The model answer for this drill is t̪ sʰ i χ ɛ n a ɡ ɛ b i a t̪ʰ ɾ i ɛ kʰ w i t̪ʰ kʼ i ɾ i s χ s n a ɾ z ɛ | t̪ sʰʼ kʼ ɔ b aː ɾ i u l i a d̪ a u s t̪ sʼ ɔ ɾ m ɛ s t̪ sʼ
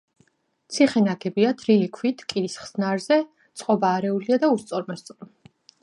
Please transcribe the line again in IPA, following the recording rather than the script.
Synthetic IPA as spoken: t̪ sʰ i χ ɛ n a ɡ ɛ b i a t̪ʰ ɾ i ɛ kʰ w i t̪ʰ kʼ i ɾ i s χ s n a ɾ z ɛ | t̪ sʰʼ qʼ ɔ b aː ɾ ɛ u l i a d̪ a u s t̪ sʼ ɔ ɾ m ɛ s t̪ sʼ